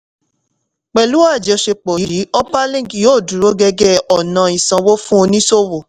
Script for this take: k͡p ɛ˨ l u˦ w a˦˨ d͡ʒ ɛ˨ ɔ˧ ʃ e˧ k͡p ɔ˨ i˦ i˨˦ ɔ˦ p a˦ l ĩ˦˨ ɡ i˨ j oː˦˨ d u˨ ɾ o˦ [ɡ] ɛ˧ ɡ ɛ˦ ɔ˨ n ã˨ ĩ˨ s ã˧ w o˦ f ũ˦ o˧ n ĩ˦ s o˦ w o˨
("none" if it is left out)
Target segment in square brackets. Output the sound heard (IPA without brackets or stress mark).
ɡ